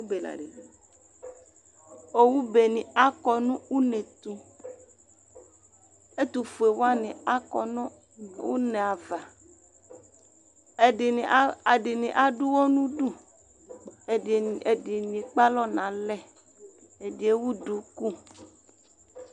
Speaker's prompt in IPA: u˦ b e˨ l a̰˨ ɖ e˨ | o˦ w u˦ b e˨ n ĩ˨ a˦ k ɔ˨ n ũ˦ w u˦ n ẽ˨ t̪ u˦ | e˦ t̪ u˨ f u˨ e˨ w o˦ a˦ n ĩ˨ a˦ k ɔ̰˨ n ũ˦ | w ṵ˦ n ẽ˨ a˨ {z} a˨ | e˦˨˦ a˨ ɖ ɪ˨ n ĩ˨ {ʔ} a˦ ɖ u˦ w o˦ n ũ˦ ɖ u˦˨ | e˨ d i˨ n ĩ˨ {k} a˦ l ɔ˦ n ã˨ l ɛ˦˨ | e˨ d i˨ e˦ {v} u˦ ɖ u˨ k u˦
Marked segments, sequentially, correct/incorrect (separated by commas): incorrect, correct, incorrect, incorrect